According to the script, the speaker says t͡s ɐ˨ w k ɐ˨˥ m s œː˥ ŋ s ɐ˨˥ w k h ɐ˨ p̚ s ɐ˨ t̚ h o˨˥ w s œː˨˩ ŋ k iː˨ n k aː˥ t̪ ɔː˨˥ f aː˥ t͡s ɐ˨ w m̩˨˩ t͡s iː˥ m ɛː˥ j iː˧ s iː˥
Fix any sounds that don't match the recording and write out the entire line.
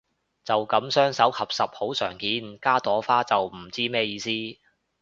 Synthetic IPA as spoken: t͡s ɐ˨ w k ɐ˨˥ m s œː˥ ŋ s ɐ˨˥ w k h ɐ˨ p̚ s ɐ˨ p̚ h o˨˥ w s œː˨˩ ŋ k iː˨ n k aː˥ t̪ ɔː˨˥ f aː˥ t͡s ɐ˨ w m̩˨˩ t͡s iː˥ m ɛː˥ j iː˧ s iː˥